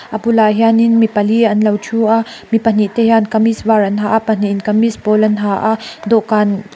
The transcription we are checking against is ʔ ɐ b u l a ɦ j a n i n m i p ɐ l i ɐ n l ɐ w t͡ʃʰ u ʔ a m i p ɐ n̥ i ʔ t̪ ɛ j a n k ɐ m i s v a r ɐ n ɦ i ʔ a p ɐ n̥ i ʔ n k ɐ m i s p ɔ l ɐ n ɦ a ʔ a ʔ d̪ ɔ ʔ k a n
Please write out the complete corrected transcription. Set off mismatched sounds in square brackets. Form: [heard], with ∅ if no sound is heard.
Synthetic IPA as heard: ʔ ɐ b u l a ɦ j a n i n m i p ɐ l i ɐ n l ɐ w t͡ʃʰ u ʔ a m i p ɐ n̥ i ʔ t̪ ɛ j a n k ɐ m i s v a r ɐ n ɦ [a] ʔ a p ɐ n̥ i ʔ n k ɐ m i s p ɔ l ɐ n ɦ a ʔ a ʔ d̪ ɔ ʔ k a n

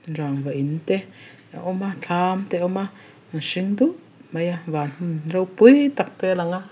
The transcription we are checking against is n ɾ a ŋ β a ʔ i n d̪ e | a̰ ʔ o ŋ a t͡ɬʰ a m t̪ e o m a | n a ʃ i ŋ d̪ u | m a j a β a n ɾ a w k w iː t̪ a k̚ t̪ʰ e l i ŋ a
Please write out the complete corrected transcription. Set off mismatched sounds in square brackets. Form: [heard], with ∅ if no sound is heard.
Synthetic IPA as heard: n ɾ a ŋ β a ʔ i n [t̪] e | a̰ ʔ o [m] a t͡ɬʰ a m t̪ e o m a | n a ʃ i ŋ d̪ u | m a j a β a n ɾ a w [p] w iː t̪ a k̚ [t̪] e l [a] ŋ a

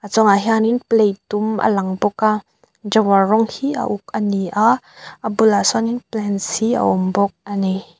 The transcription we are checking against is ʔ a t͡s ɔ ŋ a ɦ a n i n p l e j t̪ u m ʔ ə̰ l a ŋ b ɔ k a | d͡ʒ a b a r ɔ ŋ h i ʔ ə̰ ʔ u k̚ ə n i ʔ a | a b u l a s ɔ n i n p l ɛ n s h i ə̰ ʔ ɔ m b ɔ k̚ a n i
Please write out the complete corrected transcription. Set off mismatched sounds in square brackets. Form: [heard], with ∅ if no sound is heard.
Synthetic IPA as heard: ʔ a t͡s ɔ ŋ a ɦ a n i n p l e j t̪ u m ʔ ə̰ l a ŋ b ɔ k a | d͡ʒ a [w] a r ɔ ŋ h i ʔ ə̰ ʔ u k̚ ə n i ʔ a | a b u l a s ɔ n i n p l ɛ n s h i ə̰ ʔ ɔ m b ɔ k̚ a n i

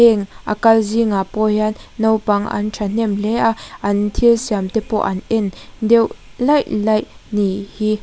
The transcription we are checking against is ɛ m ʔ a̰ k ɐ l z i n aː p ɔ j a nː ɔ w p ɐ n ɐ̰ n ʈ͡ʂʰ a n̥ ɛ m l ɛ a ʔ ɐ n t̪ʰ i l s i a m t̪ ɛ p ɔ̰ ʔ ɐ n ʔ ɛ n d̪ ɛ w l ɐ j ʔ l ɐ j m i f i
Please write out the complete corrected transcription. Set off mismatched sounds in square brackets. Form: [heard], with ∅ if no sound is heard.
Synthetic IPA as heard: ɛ [ŋ] ʔ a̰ k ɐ l z i [ŋ] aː p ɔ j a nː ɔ w p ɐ [ŋ] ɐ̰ n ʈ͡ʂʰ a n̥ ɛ m l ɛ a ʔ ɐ n t̪ʰ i l s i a m t̪ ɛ p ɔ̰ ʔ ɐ n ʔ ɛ n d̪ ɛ w l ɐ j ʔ l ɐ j [n] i [h] i

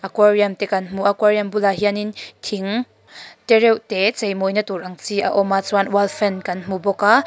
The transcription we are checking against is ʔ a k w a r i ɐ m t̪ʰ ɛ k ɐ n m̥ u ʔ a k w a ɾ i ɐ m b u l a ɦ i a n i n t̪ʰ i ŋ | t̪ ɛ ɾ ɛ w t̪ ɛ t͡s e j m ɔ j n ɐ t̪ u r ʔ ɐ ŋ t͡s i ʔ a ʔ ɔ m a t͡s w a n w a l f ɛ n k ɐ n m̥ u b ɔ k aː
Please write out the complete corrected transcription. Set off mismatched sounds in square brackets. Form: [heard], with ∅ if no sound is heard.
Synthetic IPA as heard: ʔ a k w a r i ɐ m [t̪] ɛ k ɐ n m̥ u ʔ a k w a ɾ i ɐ m b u l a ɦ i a n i n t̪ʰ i ŋ | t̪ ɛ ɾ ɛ w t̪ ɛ t͡s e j m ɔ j n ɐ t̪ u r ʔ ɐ ŋ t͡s i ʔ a ʔ ɔ m a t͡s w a n w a l f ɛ n k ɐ n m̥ u b ɔ k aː

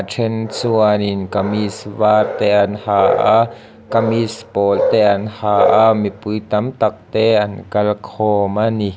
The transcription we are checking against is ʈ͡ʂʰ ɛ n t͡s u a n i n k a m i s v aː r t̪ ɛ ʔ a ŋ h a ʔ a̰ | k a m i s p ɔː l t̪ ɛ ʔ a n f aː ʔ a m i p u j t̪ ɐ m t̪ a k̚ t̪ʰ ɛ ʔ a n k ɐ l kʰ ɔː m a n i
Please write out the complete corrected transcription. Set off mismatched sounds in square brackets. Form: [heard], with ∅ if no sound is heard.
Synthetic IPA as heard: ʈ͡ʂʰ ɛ n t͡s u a n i n k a m i s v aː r t̪ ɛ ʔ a [n] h a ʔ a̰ | k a m i s p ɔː l t̪ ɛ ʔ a n [h] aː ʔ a m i p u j t̪ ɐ m t̪ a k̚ [t̪] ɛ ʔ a n k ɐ l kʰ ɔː m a n i

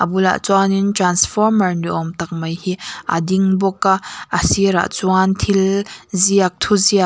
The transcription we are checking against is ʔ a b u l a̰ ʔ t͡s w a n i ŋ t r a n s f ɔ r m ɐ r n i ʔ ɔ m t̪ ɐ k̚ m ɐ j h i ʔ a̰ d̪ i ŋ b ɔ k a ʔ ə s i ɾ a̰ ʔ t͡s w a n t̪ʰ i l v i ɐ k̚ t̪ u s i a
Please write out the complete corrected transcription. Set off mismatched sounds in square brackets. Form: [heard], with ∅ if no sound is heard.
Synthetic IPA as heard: ʔ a b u l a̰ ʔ t͡s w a n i [n] t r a n s f ɔ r m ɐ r n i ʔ ɔ m t̪ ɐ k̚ m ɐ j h i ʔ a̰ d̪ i ŋ b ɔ k a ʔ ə s i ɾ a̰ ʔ t͡s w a n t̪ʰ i l [z] i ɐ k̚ [t̪ʰ] u [z] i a

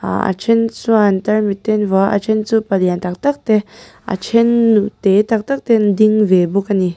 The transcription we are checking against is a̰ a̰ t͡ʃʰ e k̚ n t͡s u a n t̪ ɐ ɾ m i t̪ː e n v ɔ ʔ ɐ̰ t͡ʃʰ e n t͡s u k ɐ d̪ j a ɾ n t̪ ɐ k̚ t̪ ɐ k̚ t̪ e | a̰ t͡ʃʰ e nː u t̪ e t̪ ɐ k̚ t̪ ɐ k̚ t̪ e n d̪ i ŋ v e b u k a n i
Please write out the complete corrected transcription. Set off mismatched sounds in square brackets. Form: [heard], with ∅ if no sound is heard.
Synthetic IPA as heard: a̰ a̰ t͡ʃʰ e [∅] n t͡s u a n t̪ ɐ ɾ m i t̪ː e n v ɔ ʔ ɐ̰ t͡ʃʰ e n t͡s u [p] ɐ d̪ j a [∅] n t̪ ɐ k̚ t̪ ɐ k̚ t̪ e | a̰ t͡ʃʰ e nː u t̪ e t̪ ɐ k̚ t̪ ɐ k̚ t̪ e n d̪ i ŋ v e b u k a n i

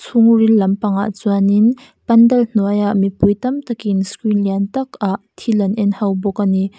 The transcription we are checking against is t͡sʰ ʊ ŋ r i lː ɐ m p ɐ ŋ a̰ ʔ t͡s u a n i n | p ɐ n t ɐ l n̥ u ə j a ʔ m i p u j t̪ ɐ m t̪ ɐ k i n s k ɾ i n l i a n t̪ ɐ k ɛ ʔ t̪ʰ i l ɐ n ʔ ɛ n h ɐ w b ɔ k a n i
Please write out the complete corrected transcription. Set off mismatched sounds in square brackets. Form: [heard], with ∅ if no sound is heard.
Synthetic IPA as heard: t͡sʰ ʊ ŋ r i lː ɐ m p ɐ ŋ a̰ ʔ t͡s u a n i n | p ɐ n [d] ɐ l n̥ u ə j a ʔ m i p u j t̪ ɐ m t̪ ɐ k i n s k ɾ i n l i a n t̪ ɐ k [a] ʔ t̪ʰ i l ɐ n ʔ ɛ n h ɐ w b ɔ k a n i

